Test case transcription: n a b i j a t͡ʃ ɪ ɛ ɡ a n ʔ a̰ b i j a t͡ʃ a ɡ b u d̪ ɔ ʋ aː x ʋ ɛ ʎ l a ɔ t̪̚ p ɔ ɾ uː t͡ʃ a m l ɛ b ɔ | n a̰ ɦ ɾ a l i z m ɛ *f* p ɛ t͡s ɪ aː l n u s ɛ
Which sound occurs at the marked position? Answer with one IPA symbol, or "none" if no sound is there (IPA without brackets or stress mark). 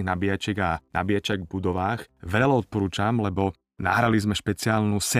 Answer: ʃ